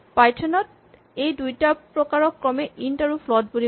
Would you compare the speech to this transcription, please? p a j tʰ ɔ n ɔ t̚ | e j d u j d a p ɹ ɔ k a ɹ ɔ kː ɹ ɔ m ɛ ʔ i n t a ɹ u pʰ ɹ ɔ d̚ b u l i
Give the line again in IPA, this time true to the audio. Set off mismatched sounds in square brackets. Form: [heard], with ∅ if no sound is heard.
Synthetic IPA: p a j tʰ ɔ n ɔ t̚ | e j d u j [t] a p ɹ ɔ k a ɹ ɔ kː ɹ ɔ m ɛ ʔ i n t a ɹ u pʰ [l] ɔ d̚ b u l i